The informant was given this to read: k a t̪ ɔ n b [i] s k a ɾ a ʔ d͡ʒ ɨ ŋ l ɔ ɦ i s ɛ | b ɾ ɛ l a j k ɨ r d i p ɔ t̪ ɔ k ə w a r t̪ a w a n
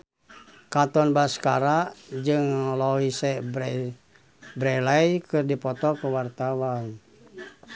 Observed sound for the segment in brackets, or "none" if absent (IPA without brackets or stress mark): a